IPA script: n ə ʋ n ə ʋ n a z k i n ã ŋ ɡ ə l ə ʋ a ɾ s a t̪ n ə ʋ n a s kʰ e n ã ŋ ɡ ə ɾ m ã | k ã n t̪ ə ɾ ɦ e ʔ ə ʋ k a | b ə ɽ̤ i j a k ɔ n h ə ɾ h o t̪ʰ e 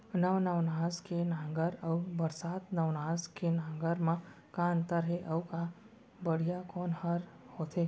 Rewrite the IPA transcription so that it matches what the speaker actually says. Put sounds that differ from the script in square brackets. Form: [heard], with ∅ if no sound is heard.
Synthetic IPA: n ə ʋ n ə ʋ n a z k [e] n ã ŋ ɡ ə [ɾ] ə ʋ [ə] ɾ s a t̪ n ə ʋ n a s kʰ e n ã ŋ ɡ ə ɾ m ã | k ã n t̪ ə ɾ ɦ e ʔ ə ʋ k a | b ə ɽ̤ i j a k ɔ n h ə ɾ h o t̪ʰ e